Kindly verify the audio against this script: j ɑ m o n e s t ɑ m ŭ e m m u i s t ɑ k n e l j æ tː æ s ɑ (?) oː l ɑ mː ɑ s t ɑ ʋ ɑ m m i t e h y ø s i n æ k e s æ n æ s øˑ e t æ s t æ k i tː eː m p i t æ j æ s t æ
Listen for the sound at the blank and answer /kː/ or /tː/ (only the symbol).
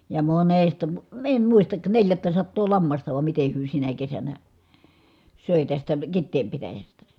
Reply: tː